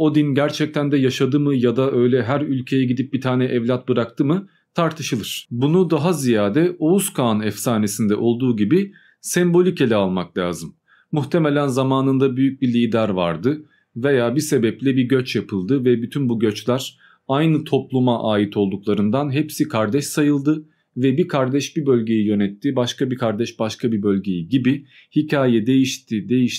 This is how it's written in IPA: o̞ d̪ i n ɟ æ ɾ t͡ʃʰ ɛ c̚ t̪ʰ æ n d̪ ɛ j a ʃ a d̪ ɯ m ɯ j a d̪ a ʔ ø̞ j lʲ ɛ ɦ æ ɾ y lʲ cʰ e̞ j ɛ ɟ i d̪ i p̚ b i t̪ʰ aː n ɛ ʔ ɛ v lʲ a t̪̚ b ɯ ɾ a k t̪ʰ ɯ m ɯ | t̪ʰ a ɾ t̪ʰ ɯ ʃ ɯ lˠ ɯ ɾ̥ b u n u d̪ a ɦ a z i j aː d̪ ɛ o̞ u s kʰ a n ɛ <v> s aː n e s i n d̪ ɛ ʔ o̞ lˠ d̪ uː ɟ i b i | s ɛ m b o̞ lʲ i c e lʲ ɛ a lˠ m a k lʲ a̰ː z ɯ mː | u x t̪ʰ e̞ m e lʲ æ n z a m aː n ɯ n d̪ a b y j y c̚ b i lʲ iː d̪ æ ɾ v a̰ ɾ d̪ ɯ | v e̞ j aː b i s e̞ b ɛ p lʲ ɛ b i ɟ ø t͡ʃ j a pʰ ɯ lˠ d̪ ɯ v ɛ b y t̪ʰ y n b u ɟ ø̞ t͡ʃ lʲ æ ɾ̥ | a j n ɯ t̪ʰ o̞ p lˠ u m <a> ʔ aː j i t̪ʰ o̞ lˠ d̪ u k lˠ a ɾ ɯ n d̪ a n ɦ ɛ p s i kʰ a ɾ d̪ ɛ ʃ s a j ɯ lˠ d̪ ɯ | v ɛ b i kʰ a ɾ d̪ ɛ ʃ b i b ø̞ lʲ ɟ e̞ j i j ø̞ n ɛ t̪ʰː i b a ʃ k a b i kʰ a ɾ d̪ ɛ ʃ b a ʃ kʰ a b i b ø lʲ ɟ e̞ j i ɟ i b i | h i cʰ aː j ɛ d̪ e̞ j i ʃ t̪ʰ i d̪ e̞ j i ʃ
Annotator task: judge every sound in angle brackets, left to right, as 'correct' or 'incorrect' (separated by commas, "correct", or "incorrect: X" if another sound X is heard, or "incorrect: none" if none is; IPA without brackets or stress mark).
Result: incorrect: f, correct